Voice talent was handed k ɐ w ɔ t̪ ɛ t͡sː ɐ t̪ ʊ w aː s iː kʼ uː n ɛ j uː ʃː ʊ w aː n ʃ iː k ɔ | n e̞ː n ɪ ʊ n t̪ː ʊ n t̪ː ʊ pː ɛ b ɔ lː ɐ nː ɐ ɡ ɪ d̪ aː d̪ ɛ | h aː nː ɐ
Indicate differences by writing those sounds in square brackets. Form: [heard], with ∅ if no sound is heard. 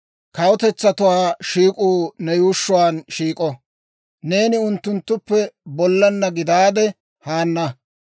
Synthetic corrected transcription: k ɐ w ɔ t̪ ɛ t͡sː ɐ t̪ ʊ w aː [ʃ] iː kʼ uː n ɛ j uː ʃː ʊ w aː n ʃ iː [kʼ] ɔ | n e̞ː n ɪ ʊ n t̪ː ʊ n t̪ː ʊ pː ɛ b ɔ lː ɐ nː ɐ ɡ ɪ d̪ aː d̪ ɛ | h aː nː ɐ